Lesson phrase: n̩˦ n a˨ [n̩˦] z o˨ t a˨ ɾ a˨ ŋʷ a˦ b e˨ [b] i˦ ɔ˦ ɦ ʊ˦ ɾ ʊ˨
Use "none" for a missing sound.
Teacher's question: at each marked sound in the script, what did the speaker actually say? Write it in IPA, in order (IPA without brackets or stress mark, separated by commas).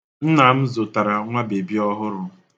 m̩˦, b